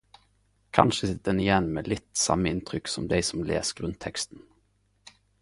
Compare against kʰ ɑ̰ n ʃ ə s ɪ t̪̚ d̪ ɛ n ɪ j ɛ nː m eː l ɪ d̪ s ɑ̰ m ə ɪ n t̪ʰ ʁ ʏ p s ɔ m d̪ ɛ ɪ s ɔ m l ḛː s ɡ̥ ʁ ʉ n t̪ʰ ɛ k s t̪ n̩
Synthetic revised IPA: kʰ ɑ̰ n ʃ ə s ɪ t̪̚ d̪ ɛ n ɪ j ɛ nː m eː l ɪ t̪ s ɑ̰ m ə ɪ n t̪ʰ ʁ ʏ k s ɔ m d̪ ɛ ɪ s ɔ m l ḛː s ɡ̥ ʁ ʉ n t̪ʰ ɛ k s t̪ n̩